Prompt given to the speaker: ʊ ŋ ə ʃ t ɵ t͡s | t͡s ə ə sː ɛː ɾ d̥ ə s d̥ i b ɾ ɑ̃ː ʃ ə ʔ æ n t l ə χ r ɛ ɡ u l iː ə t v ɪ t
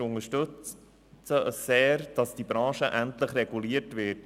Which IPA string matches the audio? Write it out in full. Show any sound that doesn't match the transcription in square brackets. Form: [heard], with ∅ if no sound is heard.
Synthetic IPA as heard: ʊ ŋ ə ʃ t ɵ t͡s | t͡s ə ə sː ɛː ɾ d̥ [ɑ] s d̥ i b ɾ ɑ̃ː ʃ ə ʔ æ n t l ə χ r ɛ ɡ u l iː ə t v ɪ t